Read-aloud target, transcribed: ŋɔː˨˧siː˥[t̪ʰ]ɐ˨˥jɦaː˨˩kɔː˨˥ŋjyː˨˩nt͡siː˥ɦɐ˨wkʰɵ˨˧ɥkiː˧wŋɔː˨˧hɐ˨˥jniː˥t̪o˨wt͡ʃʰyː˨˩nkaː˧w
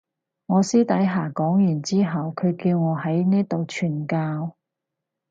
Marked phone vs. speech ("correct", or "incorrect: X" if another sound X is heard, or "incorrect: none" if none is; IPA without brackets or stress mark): incorrect: t̪